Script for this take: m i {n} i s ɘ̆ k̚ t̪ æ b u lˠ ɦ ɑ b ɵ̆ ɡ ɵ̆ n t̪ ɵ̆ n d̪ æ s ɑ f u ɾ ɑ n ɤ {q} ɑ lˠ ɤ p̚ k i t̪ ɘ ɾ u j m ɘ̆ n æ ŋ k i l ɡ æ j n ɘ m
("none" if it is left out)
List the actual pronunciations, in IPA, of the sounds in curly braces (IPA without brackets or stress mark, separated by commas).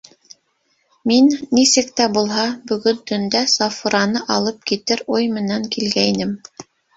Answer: nː, ʔ